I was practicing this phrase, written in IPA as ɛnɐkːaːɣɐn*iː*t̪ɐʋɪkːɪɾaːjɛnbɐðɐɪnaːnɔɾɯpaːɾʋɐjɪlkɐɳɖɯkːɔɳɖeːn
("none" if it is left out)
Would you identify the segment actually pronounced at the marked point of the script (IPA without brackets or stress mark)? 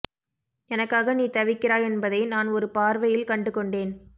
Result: iː